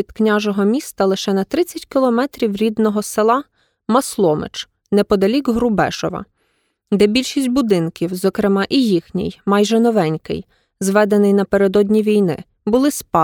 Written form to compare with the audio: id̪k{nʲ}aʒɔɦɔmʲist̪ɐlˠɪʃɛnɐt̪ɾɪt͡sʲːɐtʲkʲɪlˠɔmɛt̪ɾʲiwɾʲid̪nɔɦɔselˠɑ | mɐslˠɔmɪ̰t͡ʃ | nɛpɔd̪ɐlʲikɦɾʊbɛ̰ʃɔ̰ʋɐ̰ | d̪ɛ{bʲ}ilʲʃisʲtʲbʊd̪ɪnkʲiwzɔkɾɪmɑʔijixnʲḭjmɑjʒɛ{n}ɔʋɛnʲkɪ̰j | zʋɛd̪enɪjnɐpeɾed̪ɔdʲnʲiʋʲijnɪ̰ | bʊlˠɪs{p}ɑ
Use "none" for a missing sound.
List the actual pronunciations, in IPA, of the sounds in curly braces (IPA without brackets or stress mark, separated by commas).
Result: nʲ, bʲ, n, p